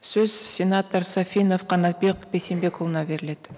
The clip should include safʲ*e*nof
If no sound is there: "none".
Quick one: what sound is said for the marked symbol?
i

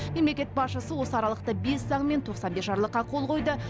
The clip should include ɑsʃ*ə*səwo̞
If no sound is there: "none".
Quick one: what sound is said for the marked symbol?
ə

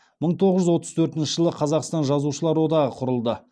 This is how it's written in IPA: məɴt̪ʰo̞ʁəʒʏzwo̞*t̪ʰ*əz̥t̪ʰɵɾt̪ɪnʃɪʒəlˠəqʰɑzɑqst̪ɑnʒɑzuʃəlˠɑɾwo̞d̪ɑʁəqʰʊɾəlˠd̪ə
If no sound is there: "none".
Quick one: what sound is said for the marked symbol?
t̪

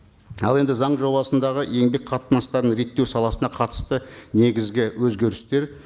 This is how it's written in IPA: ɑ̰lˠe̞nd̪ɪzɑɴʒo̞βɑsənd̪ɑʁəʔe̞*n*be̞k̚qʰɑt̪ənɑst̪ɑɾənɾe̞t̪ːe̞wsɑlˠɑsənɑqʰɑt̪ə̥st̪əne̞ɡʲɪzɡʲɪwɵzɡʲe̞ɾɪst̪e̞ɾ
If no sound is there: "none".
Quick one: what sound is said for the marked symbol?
ŋ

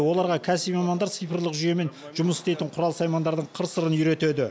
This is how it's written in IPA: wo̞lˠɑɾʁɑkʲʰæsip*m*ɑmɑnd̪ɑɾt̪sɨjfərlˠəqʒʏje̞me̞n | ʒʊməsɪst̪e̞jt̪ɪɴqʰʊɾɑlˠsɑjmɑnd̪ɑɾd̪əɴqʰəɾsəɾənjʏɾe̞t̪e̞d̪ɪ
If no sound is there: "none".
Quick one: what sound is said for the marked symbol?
m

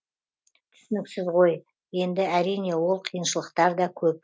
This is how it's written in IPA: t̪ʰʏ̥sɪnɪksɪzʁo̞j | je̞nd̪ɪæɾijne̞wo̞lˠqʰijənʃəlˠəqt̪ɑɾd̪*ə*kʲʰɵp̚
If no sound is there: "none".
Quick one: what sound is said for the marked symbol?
ɑ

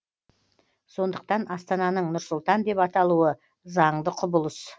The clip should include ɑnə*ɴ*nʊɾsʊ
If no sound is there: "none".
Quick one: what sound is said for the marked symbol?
ɴ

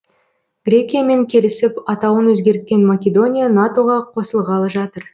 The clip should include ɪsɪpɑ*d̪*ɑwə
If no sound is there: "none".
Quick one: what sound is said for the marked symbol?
t̪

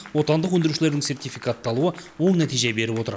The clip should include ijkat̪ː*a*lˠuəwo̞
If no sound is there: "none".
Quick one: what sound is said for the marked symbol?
ɑ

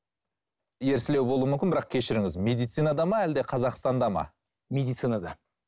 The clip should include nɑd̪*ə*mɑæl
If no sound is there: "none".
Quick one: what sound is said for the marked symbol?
ɑ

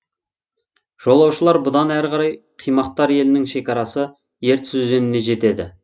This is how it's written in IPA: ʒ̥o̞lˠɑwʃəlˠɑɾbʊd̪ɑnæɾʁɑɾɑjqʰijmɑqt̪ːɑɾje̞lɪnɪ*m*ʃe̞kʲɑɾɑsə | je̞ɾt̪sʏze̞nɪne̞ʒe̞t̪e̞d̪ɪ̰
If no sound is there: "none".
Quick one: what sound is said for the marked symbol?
ŋ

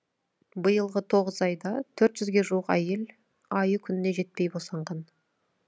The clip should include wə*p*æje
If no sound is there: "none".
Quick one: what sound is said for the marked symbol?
q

